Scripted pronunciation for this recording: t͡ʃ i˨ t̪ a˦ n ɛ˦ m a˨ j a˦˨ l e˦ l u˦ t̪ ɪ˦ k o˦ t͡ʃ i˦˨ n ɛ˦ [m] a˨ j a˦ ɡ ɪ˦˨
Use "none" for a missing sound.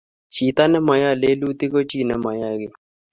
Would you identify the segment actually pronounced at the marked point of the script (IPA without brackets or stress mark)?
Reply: m